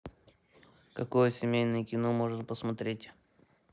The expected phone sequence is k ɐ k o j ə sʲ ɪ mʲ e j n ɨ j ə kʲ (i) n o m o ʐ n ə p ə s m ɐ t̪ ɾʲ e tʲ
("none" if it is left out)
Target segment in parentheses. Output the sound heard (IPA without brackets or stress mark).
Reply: ɪ